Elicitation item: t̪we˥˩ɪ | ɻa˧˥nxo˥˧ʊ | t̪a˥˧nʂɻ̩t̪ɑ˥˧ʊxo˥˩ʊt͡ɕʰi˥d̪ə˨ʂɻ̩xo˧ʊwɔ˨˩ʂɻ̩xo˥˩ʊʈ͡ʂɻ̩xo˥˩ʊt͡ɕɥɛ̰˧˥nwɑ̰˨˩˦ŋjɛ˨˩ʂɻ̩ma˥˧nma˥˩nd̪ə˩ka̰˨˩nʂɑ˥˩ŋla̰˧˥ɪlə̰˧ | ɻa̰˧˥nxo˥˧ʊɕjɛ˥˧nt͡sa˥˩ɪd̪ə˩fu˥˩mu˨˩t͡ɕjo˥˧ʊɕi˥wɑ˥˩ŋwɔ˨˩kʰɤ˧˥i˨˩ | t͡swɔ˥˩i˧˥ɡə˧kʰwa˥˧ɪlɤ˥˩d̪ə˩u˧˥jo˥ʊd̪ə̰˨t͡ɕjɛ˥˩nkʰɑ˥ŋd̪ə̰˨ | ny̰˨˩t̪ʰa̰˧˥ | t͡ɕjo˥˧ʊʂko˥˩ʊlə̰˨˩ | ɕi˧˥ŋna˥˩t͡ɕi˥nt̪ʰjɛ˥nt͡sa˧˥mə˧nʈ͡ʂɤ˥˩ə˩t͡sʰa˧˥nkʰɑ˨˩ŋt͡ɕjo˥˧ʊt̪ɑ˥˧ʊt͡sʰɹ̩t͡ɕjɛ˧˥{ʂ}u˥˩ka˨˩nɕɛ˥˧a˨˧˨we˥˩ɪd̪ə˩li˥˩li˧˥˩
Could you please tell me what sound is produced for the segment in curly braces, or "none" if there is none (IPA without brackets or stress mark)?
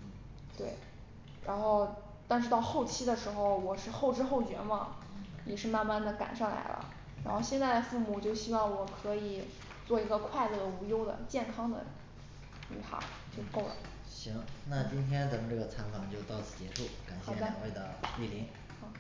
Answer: ʂ